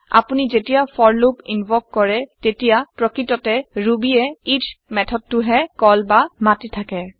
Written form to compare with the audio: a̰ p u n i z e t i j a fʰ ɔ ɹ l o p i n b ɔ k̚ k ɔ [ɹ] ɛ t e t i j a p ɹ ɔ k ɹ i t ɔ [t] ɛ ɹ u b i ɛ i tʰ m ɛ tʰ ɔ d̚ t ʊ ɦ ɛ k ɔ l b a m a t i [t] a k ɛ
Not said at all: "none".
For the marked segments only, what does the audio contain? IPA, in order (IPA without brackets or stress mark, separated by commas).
ɹ, t, tʰ